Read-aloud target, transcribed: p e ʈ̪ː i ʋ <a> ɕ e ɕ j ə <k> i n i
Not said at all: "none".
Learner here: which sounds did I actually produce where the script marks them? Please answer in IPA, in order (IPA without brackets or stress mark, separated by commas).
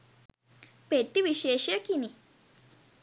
i, k